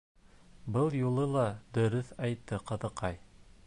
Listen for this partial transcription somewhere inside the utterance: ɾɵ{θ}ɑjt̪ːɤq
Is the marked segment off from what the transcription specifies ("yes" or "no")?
no